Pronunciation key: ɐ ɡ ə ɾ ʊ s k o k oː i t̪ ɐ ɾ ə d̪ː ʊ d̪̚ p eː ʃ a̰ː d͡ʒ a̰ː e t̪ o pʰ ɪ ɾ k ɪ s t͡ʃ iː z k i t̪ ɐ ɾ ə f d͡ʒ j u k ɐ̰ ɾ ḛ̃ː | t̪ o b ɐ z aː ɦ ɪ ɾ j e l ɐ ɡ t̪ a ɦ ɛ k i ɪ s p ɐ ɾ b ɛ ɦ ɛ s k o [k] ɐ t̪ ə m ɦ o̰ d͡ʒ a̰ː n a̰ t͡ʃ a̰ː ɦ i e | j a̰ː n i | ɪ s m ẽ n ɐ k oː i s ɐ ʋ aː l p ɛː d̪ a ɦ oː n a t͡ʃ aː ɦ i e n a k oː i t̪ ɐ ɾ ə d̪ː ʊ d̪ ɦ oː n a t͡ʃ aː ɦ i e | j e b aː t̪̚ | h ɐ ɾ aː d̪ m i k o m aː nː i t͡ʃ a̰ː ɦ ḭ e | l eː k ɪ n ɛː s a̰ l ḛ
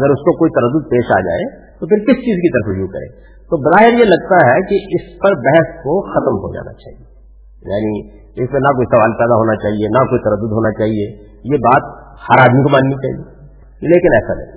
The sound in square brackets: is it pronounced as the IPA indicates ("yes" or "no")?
no